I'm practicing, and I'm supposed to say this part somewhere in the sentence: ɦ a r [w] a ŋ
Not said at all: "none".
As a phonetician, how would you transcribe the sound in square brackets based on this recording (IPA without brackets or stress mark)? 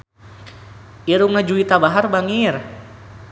b